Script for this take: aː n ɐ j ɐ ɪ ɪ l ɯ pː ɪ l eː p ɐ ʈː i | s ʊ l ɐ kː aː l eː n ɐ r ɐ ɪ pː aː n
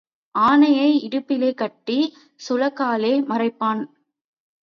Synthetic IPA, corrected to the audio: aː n ɐ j ɐ ɪ ɪ ɽ ɯ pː ɪ l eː k ɐ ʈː i | s ʊ l ɐ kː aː l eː m ɐ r ɐ ɪ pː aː n